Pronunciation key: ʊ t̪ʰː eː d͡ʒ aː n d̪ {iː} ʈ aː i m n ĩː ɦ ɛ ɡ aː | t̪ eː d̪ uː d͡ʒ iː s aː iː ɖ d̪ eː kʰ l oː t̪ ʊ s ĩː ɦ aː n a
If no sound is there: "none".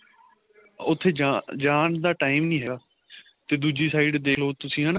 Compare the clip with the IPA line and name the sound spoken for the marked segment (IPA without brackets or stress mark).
aː